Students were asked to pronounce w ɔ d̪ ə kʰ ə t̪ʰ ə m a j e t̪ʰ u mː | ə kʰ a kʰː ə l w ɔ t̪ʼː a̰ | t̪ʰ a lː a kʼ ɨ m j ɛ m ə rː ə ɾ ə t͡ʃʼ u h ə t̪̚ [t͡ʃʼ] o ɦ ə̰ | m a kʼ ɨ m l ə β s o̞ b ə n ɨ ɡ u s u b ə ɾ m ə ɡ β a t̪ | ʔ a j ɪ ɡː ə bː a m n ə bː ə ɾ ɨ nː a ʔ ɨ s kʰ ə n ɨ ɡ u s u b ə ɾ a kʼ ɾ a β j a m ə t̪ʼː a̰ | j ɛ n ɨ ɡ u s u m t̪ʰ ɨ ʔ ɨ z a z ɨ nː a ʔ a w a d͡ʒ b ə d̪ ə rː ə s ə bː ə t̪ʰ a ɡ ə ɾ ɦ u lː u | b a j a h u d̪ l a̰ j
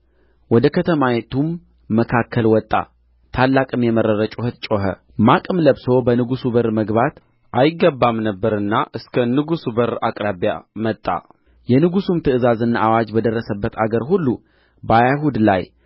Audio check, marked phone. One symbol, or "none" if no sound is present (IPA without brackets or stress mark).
t͡ʃʼ